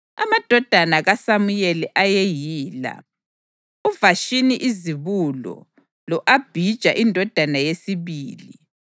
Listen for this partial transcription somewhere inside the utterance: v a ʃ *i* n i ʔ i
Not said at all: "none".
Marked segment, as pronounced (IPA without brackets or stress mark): i